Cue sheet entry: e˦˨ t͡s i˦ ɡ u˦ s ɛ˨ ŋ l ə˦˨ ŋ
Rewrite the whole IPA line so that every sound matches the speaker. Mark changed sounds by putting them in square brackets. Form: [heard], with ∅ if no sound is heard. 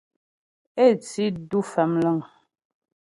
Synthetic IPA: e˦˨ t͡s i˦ [d] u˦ [f] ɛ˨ [m] l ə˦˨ ŋ